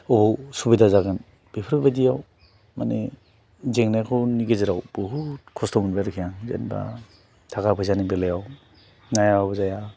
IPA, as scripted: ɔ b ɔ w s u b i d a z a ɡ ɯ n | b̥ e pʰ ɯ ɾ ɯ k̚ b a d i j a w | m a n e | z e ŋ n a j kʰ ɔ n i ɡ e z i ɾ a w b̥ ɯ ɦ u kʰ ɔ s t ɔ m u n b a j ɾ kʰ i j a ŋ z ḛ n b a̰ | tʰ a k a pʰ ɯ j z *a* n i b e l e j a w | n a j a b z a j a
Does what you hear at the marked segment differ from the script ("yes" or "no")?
no